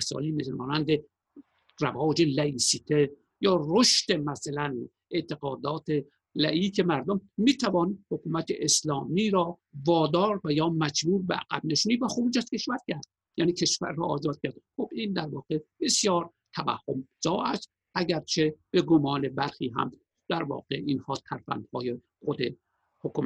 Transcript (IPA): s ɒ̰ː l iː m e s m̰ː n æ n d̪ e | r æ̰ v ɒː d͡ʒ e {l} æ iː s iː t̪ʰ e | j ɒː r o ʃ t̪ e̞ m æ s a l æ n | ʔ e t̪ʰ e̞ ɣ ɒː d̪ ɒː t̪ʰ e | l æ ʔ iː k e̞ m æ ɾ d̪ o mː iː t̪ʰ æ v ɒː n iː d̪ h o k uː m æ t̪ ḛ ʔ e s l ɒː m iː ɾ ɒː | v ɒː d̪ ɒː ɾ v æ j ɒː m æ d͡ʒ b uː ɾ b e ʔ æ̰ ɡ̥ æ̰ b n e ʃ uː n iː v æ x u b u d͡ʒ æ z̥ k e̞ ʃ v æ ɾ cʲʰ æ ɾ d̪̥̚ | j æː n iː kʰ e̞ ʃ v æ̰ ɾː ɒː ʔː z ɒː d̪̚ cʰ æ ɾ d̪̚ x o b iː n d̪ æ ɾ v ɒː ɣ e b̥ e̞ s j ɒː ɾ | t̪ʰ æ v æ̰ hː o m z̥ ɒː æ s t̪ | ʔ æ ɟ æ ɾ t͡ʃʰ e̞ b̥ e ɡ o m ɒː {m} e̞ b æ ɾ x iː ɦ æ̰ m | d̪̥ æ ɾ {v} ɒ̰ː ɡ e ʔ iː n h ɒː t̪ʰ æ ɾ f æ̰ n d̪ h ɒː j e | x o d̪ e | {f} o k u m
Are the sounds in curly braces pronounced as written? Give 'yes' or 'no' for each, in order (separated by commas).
yes, no, yes, no